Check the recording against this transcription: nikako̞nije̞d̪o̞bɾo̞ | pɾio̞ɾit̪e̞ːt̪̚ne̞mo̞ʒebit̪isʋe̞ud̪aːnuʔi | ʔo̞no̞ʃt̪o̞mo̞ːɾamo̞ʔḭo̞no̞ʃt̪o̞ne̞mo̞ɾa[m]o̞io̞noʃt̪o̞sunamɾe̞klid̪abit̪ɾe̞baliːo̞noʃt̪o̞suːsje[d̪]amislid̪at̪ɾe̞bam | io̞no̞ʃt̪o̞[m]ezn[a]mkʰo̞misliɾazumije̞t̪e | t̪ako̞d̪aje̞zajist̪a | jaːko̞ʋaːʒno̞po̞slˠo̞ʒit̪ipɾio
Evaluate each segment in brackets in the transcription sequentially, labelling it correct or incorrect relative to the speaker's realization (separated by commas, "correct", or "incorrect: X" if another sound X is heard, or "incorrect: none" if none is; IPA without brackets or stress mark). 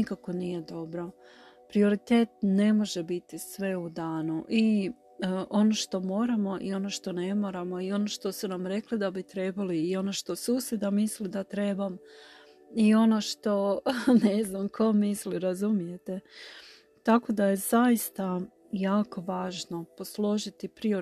correct, correct, incorrect: n, correct